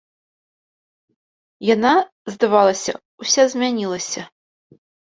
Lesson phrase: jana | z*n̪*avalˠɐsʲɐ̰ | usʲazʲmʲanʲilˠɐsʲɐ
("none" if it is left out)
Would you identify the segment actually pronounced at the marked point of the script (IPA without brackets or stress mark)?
d̪